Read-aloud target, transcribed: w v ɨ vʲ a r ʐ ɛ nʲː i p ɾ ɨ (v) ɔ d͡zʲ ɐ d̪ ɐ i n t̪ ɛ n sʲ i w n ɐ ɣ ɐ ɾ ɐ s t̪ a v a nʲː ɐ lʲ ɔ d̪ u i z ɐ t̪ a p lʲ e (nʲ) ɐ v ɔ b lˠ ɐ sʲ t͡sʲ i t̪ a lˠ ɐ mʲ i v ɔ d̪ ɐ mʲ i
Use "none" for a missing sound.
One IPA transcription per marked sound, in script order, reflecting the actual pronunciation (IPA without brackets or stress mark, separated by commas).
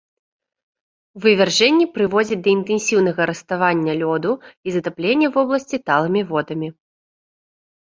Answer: v, nʲː